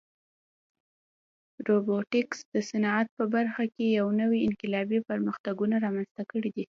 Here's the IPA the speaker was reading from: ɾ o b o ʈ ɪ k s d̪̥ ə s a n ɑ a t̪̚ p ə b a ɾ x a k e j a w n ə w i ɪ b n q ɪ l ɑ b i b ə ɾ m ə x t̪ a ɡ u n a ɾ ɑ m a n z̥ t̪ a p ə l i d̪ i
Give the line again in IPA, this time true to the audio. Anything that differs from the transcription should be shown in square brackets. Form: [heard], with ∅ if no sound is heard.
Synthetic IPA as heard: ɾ o b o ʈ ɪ k s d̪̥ ə s a n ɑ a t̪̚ p ə b a ɾ x a k e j a w n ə w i ɪ [∅] n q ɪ l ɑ b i [p] ə ɾ m ə x t̪ a ɡ u n a ɾ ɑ m a n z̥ t̪ a [k] ə [ɽ] i d̪ i

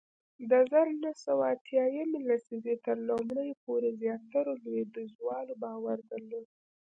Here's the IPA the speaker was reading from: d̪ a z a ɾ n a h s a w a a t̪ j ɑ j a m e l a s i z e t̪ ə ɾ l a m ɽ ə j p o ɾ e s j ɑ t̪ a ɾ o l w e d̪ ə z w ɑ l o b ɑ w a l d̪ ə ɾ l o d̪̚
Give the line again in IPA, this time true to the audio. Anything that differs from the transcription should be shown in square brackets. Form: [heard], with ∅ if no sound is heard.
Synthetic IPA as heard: d̪ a z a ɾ n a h s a w a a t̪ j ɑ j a m e l a s i z e t̪ ə ɾ l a m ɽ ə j p o ɾ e [z] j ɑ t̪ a ɾ o l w e d̪ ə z w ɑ l o b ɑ w a [ɾ] d̪ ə ɾ l o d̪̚

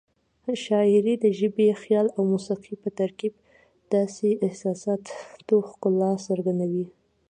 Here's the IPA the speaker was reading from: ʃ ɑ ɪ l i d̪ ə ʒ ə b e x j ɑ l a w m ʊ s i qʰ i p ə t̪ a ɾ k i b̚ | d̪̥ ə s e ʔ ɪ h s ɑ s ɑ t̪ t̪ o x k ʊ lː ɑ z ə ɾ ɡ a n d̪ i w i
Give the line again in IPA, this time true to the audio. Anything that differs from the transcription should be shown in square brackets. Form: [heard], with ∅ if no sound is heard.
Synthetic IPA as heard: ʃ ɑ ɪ [ɾ] i d̪ ə ʒ ə b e x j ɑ l a w m [u] s i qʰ i p ə t̪ a ɾ k i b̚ | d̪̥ [ɑ] s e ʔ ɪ h s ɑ s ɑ t̪ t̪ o x k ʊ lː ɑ [s] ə ɾ ɡ a n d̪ [a] w i

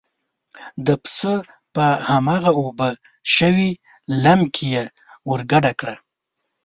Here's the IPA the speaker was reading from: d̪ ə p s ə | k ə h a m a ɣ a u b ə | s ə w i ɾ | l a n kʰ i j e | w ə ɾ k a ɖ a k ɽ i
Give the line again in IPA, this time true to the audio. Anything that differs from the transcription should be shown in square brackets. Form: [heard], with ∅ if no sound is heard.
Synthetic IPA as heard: d̪ ə p s ə | [p] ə h a m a ɣ a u b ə | [ʃ] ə w i [∅] | l a [m] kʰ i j e | w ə ɾ [ɡ] a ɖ a k ɽ [a]

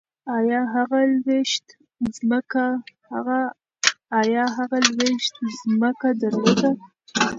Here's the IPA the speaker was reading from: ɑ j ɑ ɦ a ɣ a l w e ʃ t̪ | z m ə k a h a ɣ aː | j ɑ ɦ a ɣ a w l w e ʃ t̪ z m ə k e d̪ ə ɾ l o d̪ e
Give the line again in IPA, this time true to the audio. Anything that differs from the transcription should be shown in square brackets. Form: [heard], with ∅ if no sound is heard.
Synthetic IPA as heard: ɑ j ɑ ɦ a ɣ a l w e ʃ t̪ | z m ə k a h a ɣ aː | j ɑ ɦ a ɣ a [∅] l w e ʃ t̪ z m ə k [a] d̪ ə ɾ l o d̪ [a]

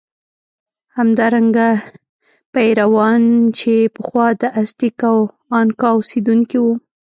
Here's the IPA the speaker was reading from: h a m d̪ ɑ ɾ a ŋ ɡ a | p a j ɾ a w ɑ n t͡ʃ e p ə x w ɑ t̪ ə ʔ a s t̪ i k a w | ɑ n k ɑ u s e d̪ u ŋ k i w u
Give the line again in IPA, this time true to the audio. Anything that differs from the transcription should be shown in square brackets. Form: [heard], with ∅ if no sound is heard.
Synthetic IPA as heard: h a m d̪ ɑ ɾ a ŋ ɡ a | p a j ɾ a w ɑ n t͡ʃ e p ə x w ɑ [d̪] ə ʔ a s t̪ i k a w | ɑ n k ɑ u s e d̪ u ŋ k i w u

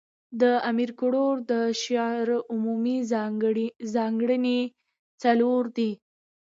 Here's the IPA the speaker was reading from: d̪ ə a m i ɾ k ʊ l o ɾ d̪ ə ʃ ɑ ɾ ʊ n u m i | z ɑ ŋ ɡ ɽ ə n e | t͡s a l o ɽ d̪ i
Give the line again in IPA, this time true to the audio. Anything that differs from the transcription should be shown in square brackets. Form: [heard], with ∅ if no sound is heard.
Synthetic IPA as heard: d̪ ə a m i ɾ k ʊ [ɽ] o ɾ d̪ ə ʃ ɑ ɾ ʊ [m] u m i | z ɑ ŋ ɡ ɽ ə n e | t͡s a l o [ɾ] d̪ i

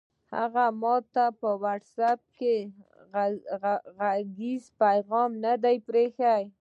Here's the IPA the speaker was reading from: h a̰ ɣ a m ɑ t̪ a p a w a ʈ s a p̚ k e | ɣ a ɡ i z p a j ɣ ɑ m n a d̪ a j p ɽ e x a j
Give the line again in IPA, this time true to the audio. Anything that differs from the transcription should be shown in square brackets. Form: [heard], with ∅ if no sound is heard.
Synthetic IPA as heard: h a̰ ɣ a m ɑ t̪ a p [ə] w a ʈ s a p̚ k e | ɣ a ɡ i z p a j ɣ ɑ m n a d̪ a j p [ɾ] e x a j

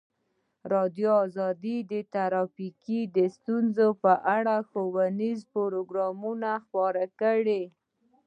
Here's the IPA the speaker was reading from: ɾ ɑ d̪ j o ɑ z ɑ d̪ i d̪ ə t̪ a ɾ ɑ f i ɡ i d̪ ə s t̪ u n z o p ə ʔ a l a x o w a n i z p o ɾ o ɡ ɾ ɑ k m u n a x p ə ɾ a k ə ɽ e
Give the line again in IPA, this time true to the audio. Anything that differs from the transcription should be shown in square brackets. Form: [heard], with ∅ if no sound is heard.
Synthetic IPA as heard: ɾ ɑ d̪ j o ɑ z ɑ d̪ i d̪ ə t̪ a ɾ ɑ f i [k] i d̪ ə s t̪ u n z o p ə ʔ a [ɽ] a x o w a n i z p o ɾ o ɡ ɾ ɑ [∅] m u n a x p [ɑ] ɾ a k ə ɽ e

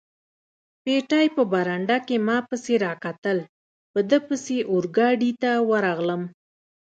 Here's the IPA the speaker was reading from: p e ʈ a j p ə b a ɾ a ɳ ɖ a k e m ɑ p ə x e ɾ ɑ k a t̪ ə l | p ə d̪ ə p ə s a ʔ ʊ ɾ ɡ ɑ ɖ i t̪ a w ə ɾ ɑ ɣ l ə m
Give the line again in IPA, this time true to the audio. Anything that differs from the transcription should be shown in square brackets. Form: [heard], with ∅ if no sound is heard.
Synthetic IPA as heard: p e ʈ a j p ə b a ɾ a ɳ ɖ a k e m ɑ p ə [s] e ɾ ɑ k a t̪ ə l | p ə d̪ ə p ə s [e] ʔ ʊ ɾ ɡ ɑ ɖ i t̪ a w ə ɾ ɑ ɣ l ə m

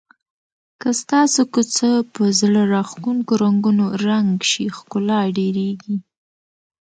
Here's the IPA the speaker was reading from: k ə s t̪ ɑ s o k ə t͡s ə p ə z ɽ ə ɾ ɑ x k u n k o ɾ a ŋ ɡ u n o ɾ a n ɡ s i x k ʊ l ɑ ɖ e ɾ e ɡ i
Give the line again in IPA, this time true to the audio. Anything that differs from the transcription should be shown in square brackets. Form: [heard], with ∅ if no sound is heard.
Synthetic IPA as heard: k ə s t̪ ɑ s o k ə t͡s ə p ə z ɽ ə ɾ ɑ x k u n k o ɾ a ŋ ɡ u n o ɾ a [ŋ] ɡ [ʃ] i x k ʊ l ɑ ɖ e ɾ e ɡ i

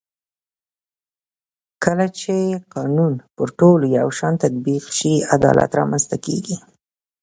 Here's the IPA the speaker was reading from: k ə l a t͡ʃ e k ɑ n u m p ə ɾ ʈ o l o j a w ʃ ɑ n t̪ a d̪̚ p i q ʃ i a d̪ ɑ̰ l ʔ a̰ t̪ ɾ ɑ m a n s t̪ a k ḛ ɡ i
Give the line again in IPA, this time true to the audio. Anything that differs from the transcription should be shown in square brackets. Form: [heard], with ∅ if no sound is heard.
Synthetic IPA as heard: k ə l a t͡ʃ e [q] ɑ n u [n] p ə ɾ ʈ o l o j a w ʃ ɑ n t̪ a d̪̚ [b] i q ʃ i a d̪ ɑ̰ l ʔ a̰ t̪ ɾ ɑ m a n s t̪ a k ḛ ɡ i

